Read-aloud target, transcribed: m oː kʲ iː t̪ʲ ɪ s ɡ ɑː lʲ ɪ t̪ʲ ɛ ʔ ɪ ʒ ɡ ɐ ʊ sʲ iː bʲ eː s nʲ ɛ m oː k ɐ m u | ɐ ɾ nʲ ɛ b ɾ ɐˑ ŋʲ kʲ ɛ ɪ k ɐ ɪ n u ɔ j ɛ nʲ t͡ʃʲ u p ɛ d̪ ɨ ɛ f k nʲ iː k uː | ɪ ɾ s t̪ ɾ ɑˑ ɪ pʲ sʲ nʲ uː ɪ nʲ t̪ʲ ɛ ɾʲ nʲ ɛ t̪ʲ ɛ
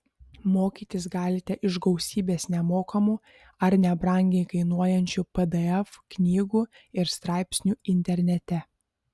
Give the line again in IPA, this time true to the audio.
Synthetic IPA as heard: m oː kʲ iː t̪ʲ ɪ s ɡ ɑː lʲ ɪ t̪ʲ ɛ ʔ ɪ ʒ ɡ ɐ ʊ sʲ iː bʲ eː s nʲ ɛ m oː k ɐ m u | ɐ ɾ nʲ ɛ b ɾ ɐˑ ŋʲ ɡʲ ɛ ɪ k ɐ ɪ n u ɔ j ɛ nʲ t͡ʃʲ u p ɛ d̪ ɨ ɛ f k nʲ iː ɡ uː | ɪ ɾ s t̪ ɾ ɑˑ ɪ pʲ sʲ nʲ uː ɪ nʲ t̪ʲ ɛ ɾʲ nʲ ɛ t̪ʲ ɛ

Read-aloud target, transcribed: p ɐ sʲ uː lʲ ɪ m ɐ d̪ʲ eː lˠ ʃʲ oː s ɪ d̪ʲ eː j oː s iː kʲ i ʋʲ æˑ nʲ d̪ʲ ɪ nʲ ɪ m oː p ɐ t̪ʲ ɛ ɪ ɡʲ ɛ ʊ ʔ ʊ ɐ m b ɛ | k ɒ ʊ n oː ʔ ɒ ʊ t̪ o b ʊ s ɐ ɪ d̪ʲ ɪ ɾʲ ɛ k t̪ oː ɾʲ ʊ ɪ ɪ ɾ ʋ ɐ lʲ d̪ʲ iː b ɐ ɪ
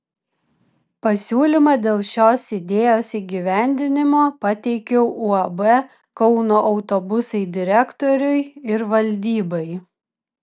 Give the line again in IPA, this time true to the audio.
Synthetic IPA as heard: p ɐ sʲ uː lʲ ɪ m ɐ d̪ʲ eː lˠ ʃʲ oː s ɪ d̪ʲ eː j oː s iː ɡʲ i ʋʲ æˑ nʲ d̪ʲ ɪ nʲ ɪ m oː p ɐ t̪ʲ ɛ ɪ kʲ ɛ ʊ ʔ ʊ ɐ b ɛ | k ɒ ʊ n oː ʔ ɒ ʊ t̪ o b ʊ s ɐ ɪ d̪ʲ ɪ ɾʲ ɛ k t̪ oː ɾʲ ʊ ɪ ɪ ɾ ʋ ɐ lʲ d̪ʲ iː b ɐ ɪ

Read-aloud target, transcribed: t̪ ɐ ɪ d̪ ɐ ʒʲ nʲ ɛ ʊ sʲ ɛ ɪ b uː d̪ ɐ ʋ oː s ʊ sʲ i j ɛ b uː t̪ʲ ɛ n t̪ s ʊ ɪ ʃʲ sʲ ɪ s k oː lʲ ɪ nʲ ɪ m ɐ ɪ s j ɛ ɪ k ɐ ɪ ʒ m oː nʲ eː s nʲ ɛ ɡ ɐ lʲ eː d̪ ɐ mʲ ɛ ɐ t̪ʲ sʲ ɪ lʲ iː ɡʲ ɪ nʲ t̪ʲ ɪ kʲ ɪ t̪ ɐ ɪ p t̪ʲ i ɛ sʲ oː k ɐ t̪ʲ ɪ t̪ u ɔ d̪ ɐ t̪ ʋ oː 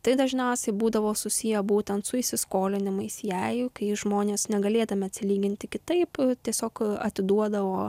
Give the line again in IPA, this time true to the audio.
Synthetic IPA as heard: t̪ ɐ ɪ d̪ ɐ ʒʲ nʲ ɛ ʊ sʲ ɛ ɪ b uː d̪ ɐ ʋ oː s ʊ sʲ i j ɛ b uː t̪ʲ ɛ n t̪ s ʊ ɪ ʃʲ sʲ ɪ s k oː lʲ ɪ nʲ ɪ m ɐ ɪ s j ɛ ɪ k ɐ ɪ ʒ m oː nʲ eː s nʲ ɛ ɡ ɐ lʲ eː d̪ ɐ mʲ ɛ ɐ t̪ʲ sʲ ɪ lʲ iː ɡʲ ɪ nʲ t̪ʲ ɪ kʲ ɪ t̪ ɐ ɪ p t̪ʲ i ɛ sʲ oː k ɐ t̪ʲ ɪ d̪ u ɔ d̪ ɐ ʋ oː

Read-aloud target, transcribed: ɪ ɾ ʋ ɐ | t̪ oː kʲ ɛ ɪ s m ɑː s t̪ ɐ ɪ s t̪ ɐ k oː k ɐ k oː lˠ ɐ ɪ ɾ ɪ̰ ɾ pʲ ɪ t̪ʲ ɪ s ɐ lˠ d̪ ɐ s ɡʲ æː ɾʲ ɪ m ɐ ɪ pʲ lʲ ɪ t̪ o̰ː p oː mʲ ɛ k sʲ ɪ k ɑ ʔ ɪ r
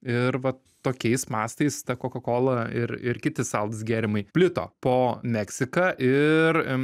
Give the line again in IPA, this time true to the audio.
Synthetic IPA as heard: ɪ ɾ ʋ ɐ | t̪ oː kʲ ɛ ɪ s m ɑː s t̪ ɐ ɪ s t̪ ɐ k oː k ɐ k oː lˠ ɐ ɪ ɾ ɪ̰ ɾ kʲ ɪ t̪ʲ ɪ s ɐ lˠ d̪ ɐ s ɡʲ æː ɾʲ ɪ m ɐ ɪ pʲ lʲ ɪ t̪ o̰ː p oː mʲ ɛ k sʲ ɪ k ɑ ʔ ɪ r

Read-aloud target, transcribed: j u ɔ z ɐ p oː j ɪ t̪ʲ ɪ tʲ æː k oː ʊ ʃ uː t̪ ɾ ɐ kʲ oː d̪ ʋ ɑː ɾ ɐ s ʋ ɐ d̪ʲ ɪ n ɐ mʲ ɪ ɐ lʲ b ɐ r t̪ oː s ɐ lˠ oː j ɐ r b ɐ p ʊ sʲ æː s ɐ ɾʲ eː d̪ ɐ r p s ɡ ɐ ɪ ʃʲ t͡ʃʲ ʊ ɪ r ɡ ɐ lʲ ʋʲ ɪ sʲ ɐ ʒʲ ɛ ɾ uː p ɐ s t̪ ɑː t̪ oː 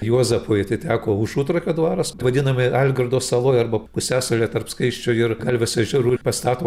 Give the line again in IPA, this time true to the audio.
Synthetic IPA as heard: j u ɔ z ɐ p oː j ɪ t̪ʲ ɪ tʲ æː k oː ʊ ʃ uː t̪ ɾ ɐ kʲ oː d̪ ʋ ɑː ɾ ɐ s ʋ ɐ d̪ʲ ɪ n ɐ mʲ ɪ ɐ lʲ ɡ ɐ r d̪ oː s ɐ lˠ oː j ɐ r b ɐ p ʊ sʲ æː s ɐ lʲ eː t̪ ɐ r p s k ɐ ɪ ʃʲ t͡ʃʲ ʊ ɪ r ɡ ɐ lʲ ʋʲ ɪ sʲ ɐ ʒʲ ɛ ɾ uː p ɐ s t̪ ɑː t̪ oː

